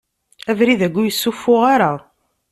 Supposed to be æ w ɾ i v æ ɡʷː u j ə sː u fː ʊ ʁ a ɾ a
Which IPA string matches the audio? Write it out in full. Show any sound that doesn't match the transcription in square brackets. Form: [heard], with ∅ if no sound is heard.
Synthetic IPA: æ [v] ɾ i [ð] æ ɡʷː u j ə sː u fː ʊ ʁ a ɾ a